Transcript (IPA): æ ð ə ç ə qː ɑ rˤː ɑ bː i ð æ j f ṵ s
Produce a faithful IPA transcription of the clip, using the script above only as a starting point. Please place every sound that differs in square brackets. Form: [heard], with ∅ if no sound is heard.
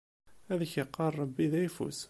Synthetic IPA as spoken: æ ð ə ç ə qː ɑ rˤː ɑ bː i ð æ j f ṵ s